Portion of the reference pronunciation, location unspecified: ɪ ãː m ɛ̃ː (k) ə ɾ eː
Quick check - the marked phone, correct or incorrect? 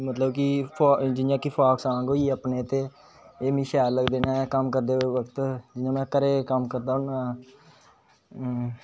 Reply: correct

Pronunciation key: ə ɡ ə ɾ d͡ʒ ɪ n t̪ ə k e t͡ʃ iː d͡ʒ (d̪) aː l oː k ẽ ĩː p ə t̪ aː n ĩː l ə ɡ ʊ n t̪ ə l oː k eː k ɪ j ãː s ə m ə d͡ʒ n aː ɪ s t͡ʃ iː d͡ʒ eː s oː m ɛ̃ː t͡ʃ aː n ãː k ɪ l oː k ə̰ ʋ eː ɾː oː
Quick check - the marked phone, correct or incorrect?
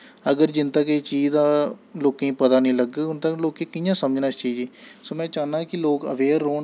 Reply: correct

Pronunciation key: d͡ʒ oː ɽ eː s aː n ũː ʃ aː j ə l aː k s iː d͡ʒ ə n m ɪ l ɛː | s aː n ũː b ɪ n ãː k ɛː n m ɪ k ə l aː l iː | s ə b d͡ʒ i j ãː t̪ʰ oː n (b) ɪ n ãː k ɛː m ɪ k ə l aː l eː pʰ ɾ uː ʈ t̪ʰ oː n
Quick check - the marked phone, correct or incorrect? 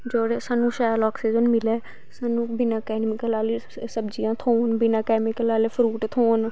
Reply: correct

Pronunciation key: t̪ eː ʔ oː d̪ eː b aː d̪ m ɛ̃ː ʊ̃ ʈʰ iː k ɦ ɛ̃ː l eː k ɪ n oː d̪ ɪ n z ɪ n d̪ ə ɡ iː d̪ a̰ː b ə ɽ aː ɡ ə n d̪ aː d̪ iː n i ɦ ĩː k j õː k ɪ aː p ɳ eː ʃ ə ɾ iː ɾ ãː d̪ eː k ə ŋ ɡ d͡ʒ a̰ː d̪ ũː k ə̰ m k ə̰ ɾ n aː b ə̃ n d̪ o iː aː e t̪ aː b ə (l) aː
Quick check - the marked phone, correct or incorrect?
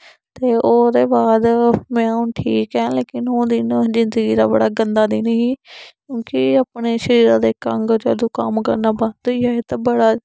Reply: incorrect: ɽ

